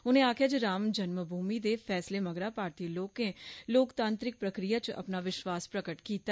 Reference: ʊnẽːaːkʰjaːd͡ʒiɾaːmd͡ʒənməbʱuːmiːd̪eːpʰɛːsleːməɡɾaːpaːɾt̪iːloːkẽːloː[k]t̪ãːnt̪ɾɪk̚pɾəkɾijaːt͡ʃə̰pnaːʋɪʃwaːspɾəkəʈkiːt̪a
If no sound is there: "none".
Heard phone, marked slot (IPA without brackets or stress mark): k